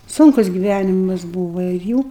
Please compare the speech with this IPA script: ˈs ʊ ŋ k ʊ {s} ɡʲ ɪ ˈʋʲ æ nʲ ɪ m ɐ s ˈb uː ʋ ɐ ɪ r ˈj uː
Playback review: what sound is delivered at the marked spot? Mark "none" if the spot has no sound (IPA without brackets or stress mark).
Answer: s